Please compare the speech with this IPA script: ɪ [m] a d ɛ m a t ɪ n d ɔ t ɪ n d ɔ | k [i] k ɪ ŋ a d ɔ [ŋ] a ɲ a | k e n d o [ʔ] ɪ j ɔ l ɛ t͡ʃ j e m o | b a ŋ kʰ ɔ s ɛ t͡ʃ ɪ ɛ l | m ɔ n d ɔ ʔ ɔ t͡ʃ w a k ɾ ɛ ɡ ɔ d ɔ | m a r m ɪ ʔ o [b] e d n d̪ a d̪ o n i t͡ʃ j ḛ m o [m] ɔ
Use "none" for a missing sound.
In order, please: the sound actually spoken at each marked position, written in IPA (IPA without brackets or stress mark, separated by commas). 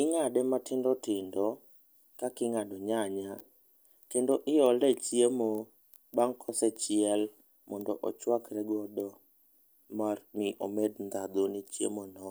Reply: ŋ, a, ɲ, ʔ, m, n